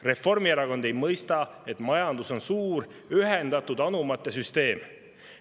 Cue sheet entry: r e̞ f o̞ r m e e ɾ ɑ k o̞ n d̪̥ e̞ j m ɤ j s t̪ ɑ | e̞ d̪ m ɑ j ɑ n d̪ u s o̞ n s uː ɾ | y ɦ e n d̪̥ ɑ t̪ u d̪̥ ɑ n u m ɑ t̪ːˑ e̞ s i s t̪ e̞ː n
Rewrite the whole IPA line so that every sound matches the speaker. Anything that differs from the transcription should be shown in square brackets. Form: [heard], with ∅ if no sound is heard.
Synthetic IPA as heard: r e̞ f o̞ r m [i] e ɾ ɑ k o̞ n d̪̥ e̞ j m ɤ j s t̪ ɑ | e̞ [t̪] m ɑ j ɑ n d̪ u s o̞ n s uː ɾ | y ɦ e n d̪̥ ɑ t̪ u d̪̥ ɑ n u m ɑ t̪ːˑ e̞ s [y] s t̪ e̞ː [m]